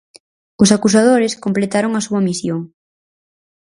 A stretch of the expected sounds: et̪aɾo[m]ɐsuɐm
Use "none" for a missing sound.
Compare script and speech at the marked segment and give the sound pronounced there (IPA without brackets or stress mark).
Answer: ŋ